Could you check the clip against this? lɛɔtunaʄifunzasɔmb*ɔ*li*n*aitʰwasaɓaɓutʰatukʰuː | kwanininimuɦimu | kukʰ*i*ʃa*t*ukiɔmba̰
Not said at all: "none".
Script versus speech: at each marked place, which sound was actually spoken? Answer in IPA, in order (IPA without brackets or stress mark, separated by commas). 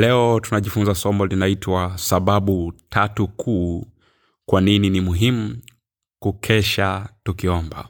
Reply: ɔ, n, ɛ, t